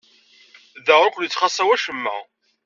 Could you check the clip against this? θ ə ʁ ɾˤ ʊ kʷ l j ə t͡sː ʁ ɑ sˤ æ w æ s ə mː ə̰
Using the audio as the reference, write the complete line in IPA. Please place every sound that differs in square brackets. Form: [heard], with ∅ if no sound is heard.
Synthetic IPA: [ð] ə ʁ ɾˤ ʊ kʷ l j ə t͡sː [χ] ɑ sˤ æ w æ [ʃ] ə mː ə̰